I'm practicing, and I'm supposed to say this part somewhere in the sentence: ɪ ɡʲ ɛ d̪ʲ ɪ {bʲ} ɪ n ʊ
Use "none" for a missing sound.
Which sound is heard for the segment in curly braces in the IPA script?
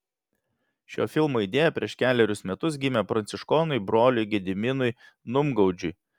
mʲ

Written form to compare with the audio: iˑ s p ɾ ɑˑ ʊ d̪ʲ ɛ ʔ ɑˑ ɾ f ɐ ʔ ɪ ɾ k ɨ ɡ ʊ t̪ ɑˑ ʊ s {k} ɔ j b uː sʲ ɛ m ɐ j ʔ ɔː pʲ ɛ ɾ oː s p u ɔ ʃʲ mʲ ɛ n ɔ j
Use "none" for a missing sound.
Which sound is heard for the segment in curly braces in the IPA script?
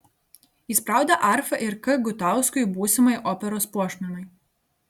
k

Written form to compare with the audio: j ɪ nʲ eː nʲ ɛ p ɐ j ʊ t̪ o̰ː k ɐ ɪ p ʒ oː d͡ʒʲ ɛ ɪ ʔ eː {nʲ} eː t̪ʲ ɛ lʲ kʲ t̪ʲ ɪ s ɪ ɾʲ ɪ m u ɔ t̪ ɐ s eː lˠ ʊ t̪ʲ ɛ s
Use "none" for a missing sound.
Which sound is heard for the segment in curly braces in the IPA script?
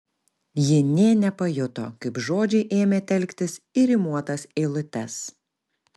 mʲ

